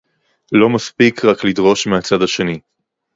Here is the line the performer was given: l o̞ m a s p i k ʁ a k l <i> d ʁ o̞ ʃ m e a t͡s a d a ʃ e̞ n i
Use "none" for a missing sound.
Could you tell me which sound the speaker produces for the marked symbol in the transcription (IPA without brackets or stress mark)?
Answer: i